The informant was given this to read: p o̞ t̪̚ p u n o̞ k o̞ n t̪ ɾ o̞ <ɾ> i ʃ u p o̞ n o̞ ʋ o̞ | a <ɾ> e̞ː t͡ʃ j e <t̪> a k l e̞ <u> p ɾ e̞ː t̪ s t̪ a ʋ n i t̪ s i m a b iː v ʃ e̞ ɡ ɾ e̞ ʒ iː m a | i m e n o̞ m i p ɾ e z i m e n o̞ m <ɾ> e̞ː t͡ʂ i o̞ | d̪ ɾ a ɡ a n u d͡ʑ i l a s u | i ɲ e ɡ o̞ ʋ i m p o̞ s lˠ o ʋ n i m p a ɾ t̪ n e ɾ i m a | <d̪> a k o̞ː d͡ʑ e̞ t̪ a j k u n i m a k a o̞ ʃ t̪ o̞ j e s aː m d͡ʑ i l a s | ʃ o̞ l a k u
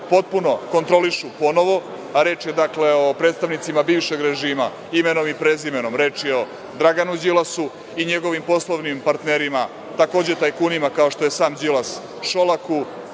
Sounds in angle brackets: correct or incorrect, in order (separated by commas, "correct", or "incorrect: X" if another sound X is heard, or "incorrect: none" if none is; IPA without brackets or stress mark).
incorrect: l, correct, incorrect: d̪, incorrect: o, correct, incorrect: t̪